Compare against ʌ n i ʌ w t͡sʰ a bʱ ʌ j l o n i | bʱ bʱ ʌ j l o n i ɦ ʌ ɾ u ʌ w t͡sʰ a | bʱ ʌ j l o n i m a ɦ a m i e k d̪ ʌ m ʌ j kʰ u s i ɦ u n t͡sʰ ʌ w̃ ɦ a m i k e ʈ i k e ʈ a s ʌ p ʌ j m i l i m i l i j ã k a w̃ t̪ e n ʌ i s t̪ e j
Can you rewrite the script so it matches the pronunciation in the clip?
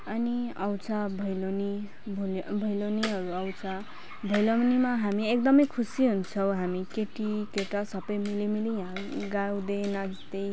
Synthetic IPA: ʌ n i ʌ w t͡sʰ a bʱ ʌ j l o n i | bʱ bʱ ʌ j l o n i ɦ ʌ ɾ u ʌ w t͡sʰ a | bʱ ʌ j l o n i m a ɦ a m i e k d̪ ʌ m ʌ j kʰ u s i ɦ u n t͡sʰ ʌ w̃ ɦ a m i k e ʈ i k e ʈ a s ʌ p ʌ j m i l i m i l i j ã ɡ a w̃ d̪ e n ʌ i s t̪ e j